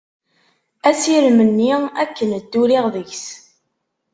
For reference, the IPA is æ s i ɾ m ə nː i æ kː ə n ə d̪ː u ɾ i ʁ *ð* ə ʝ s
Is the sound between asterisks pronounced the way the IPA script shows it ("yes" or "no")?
yes